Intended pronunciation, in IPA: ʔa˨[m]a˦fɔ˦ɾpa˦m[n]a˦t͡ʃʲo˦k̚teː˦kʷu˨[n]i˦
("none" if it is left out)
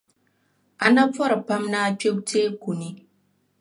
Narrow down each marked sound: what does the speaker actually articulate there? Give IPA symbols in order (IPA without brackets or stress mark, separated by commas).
n, n, n